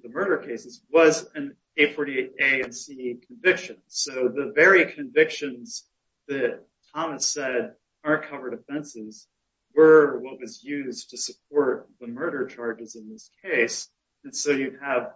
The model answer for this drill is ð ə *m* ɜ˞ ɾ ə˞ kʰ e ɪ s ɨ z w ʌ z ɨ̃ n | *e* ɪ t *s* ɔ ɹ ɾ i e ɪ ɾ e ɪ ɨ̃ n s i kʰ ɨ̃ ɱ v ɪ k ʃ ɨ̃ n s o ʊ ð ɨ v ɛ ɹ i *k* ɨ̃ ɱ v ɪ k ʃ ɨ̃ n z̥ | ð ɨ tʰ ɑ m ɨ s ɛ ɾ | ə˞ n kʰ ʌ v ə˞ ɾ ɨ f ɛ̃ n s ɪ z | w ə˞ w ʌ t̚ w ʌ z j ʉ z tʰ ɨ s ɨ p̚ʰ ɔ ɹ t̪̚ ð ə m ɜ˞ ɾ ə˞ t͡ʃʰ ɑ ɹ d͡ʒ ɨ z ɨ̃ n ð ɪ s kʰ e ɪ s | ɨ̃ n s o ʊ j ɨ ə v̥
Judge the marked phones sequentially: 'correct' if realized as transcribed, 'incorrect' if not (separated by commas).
correct, correct, incorrect, incorrect